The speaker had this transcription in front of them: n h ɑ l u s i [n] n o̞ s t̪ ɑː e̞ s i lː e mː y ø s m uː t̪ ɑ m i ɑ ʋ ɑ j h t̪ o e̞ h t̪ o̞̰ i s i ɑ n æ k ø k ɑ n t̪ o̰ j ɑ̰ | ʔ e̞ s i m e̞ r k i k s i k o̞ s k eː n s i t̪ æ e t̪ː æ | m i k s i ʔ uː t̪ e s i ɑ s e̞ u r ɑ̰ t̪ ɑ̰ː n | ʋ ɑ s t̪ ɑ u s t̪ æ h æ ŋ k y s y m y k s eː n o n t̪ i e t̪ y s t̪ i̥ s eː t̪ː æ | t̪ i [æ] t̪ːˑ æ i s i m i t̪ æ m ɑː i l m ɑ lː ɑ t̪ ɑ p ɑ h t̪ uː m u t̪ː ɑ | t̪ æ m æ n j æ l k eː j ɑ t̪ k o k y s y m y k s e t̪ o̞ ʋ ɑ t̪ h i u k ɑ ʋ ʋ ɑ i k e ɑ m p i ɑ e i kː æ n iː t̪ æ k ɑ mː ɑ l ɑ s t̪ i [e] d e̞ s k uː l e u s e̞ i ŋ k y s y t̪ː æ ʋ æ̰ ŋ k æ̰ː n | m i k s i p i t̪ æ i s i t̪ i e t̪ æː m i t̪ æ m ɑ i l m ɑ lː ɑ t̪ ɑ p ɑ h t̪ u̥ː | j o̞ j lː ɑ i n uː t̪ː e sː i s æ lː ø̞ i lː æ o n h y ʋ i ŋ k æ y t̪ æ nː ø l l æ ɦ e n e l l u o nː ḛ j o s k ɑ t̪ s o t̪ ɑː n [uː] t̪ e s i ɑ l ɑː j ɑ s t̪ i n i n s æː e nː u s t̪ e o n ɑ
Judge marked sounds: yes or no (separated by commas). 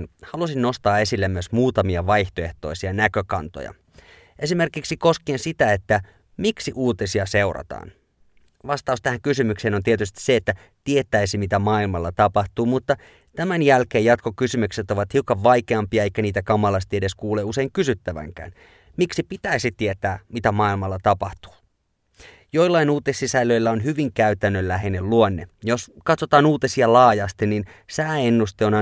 yes, no, yes, yes